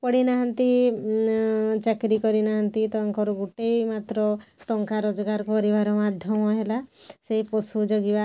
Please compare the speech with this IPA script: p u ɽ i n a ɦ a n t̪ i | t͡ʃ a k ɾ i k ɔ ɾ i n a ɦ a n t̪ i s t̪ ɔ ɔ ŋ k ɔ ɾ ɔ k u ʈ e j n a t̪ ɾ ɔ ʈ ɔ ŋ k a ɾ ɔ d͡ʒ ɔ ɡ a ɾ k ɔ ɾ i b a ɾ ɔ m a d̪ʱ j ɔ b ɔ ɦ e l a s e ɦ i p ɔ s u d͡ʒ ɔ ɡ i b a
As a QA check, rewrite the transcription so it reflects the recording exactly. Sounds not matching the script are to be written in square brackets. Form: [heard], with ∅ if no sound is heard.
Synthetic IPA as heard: p [ɔ] ɽ i n a ɦ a n t̪ i | t͡ʃ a k ɾ i k ɔ ɾ i n a ɦ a n t̪ i [∅] t̪ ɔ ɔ ŋ k ɔ ɾ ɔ [ɡ] u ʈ e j [m] a t̪ ɾ ɔ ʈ ɔ ŋ k a ɾ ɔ d͡ʒ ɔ ɡ a ɾ k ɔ ɾ i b a ɾ ɔ m a d̪ʱ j ɔ [m] ɔ ɦ e l a s e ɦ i p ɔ s u d͡ʒ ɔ ɡ i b a